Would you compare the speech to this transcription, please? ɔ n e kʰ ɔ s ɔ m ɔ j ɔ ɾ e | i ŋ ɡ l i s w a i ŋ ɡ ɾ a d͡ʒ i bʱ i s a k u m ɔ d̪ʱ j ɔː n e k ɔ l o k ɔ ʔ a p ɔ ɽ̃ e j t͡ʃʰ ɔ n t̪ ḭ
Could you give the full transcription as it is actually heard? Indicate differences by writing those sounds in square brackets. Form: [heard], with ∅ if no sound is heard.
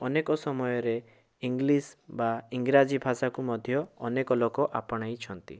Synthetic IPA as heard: ɔ n e [k] ɔ s ɔ m ɔ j ɔ ɾ e | i ŋ ɡ l i s [b] a i ŋ ɡ ɾ a d͡ʒ i bʱ [a] s a k u m ɔ d̪ʱ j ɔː n e k ɔ l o k ɔ ʔ a p ɔ ɽ̃ [a] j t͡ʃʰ ɔ n t̪ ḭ